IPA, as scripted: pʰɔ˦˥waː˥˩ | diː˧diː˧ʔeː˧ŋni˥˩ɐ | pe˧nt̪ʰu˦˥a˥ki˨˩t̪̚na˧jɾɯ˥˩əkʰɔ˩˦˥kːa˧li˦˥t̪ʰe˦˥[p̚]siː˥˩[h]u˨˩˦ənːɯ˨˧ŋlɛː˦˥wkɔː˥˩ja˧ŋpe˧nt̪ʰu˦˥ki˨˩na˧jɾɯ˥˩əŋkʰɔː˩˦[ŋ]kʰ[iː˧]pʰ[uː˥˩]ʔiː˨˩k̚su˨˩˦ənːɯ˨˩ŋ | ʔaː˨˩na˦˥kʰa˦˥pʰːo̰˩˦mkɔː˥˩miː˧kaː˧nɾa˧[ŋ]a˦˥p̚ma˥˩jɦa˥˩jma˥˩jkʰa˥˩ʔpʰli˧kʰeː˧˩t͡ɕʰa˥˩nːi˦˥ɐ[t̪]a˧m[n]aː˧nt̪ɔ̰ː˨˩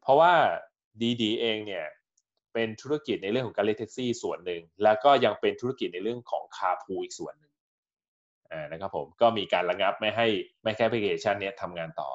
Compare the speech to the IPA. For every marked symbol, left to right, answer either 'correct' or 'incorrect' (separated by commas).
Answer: incorrect, incorrect, correct, incorrect, incorrect, correct, incorrect, incorrect